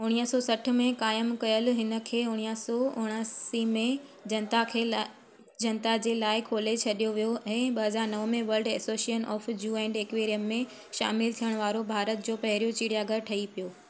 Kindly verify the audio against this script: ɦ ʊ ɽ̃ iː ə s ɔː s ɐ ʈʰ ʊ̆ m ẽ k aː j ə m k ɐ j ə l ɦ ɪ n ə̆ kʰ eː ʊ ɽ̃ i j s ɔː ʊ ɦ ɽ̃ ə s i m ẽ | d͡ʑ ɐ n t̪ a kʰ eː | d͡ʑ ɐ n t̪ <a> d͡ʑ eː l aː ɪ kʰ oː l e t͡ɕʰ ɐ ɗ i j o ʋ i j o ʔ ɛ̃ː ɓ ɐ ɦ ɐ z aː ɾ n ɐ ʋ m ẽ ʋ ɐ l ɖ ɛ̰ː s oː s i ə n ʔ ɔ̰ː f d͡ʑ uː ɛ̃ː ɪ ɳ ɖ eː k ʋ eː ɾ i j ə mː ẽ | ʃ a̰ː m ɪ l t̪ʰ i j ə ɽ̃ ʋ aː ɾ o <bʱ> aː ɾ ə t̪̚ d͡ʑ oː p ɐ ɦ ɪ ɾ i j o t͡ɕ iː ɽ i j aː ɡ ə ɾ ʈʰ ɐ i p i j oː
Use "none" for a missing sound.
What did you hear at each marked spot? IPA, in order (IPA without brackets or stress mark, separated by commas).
a, bʱ